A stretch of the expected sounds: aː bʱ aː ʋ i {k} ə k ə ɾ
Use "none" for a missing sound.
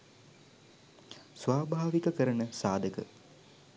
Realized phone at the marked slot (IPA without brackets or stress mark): k